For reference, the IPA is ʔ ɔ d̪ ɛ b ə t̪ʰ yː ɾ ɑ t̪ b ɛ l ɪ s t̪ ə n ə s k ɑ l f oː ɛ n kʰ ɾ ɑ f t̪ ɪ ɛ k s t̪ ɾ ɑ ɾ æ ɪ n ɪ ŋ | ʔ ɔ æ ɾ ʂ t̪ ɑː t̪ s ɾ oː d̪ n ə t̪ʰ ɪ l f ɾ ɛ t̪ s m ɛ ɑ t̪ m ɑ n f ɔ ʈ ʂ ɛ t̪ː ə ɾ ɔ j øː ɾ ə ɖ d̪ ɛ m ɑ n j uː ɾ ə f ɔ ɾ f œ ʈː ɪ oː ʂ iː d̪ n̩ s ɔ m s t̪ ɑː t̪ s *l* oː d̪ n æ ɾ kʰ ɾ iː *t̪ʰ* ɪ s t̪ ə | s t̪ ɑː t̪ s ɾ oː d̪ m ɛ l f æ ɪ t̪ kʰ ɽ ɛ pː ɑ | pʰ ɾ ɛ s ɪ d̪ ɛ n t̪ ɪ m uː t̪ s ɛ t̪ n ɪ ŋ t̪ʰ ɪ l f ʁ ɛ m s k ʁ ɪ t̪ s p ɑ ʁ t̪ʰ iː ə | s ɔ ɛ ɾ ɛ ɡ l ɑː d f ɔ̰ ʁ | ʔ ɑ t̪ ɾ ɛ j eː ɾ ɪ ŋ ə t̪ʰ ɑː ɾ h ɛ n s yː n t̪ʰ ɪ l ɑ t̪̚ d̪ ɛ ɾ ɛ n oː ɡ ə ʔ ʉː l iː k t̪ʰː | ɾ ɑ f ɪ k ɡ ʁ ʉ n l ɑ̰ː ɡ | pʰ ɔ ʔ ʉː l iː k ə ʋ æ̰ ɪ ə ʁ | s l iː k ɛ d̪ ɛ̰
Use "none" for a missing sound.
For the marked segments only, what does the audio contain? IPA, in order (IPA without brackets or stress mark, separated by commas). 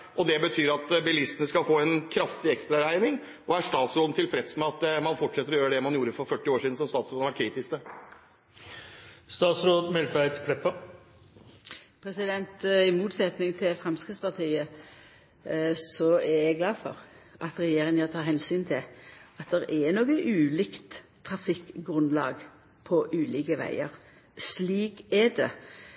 ɾ, t̪